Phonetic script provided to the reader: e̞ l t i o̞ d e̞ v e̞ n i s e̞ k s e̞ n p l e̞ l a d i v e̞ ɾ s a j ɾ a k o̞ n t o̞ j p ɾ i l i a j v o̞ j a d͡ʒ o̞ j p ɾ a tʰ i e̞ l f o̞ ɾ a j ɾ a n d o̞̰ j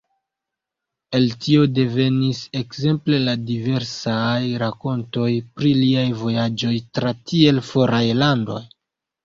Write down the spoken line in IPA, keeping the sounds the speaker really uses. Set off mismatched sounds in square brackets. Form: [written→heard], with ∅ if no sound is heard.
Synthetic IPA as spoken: e̞ l t i o̞ d e̞ v e̞ n i s e̞ k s e̞ [n→m] p l e̞ l a d i v e̞ ɾ s a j ɾ a k o̞ n t o̞ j p ɾ i l i a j v o̞ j a d͡ʒ o̞ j [p→t] ɾ a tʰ i e̞ l f o̞ ɾ a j [ɾ→l] a n d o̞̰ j

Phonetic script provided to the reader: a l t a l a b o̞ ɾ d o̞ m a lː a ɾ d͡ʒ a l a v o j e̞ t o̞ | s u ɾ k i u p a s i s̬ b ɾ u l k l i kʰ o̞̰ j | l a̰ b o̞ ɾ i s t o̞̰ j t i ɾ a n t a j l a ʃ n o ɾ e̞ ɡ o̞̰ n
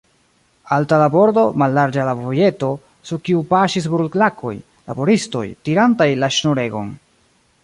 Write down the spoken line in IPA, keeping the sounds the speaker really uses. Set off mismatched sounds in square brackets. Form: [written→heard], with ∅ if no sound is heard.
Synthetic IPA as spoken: a l t a l a b o̞ ɾ d o̞ m a lː a ɾ d͡ʒ a l a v o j e̞ t o̞ | s u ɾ k i u p a [s→ʃ] i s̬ b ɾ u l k l [i→a] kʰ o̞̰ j | l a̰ b o̞ ɾ i s t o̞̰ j t i ɾ a n t a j l a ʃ n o ɾ e̞ ɡ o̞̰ n

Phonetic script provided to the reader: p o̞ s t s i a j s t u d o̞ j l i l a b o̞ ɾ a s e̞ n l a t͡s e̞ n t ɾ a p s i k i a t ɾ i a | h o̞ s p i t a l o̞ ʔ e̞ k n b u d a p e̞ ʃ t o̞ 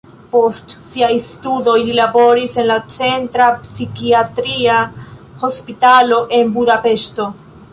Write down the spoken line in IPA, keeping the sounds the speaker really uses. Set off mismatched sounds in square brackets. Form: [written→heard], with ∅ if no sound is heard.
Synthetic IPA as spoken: p o̞ s t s i a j s t u d o̞ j l i l a b o̞ ɾ [a→i] s e̞ n l a t͡s e̞ n t ɾ a p s i k i a t ɾ i a | h o̞ s p i t a l o̞ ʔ e̞ [k→∅] n b u d a p e̞ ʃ t o̞

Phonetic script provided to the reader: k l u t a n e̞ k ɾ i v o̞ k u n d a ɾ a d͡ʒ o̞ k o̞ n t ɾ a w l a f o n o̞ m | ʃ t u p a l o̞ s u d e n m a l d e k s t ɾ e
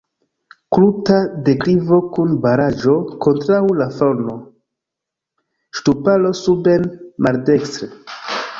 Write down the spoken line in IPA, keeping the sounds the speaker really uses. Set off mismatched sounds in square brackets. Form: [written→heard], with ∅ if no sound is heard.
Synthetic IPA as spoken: k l u t a [n→d] e̞ k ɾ i v o̞ k u n [d→b] a ɾ a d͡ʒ o̞ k o̞ n t ɾ a w l a f o n o̞ [m→∅] | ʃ t u p a l o̞ s u [d→b] e n m a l d e k s t ɾ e

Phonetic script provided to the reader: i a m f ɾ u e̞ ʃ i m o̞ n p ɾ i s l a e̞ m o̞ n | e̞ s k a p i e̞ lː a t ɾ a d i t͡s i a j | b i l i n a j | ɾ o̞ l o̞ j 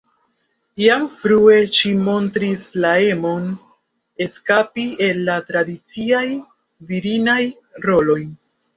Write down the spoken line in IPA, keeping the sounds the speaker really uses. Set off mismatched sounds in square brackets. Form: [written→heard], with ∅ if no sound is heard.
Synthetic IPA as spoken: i a m f ɾ u e̞ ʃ i m o̞ n [p→t] ɾ i s l a e̞ m o̞ n | e̞ s k a p i e̞ lː a t ɾ a d i t͡s i a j | [b→v] i [l→ɾ] i n a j | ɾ o̞ l o̞ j

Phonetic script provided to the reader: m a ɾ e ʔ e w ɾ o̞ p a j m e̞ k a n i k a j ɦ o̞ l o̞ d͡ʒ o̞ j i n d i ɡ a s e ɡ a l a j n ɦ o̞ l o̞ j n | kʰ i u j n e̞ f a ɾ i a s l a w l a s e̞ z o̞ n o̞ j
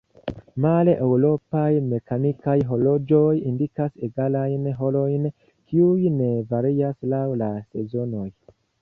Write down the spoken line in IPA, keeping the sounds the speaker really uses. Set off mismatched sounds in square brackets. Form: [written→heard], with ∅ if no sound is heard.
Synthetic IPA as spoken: m a [ɾ→l] e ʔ e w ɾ o̞ p a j m e̞ k a n i k a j ɦ o̞ l o̞ d͡ʒ o̞ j i n d i [ɡ→k] a s e ɡ a l a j n ɦ o̞ l o̞ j n | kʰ i u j n e̞ [f→v] a ɾ i a s l a w l a s e̞ z o̞ n o̞ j

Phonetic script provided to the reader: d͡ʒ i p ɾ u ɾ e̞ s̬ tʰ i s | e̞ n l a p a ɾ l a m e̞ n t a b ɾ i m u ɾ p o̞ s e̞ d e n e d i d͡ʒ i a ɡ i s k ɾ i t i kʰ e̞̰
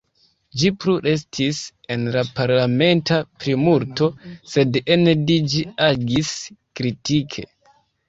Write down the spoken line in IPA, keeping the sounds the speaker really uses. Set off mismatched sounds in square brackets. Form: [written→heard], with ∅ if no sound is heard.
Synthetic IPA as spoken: d͡ʒ i p ɾ u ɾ e̞ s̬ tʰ i s | e̞ n l a p a ɾ l a m e̞ n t a [b→p] ɾ i m u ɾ [p→t] o̞ s e̞ d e n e d i d͡ʒ i a ɡ i s k ɾ i t i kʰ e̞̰

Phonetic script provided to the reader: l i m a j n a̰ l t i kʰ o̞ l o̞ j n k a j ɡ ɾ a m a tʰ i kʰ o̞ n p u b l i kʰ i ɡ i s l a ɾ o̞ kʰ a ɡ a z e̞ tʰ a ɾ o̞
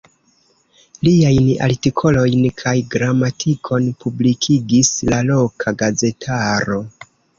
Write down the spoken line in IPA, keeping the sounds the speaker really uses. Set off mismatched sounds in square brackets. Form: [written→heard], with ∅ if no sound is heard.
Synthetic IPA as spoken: l i [m→∅] a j n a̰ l t i kʰ o̞ l o̞ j n [k→kʰ] a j ɡ ɾ a m a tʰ i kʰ o̞ n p u b l i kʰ i ɡ i s l a [ɾ→l] o̞ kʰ a ɡ a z e̞ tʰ a ɾ o̞

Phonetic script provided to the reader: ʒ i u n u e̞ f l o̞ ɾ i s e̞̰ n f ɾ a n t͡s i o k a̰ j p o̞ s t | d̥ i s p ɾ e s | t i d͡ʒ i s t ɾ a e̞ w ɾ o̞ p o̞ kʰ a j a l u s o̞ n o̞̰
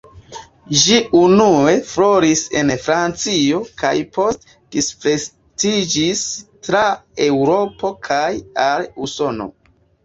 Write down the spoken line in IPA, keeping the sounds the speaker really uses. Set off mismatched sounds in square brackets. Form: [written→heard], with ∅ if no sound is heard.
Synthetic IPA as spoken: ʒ i u n u e̞ f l o̞ ɾ i s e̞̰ n f ɾ a n t͡s i o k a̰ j p o̞ s t | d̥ i s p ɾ e s | t i d͡ʒ i s t ɾ a e̞ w ɾ o̞ p o̞ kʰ a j a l u s o̞ n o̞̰

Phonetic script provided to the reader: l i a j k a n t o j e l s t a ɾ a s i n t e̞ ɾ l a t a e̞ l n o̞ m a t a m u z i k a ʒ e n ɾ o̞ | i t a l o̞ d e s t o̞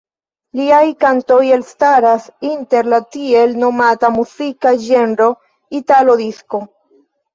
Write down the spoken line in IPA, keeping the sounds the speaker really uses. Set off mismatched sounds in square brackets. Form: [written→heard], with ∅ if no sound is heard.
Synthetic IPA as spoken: l i a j k a n t o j e l s t a ɾ a s i n t e̞ ɾ l a t [a→i] e̞ l n o̞ m a t a m u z i k a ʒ e n ɾ o̞ | i t a l o̞ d [e→i] s [t→k] o̞

